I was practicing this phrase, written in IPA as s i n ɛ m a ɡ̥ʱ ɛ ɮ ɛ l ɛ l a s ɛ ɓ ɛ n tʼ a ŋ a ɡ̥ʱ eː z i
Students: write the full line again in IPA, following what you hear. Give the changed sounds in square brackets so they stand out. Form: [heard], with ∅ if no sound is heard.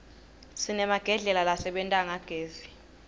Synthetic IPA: s i n ɛ m a ɡ̥ʱ ɛ ɮ ɛ l [a] l a s ɛ ɓ ɛ n tʼ a ŋ a ɡ̥ʱ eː z i